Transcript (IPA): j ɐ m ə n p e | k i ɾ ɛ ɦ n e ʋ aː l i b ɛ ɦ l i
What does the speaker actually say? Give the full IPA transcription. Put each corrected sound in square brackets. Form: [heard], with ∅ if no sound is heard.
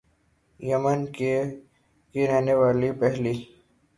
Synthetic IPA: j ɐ m ə n [k] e | k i ɾ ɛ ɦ n e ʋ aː l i [p] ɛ ɦ l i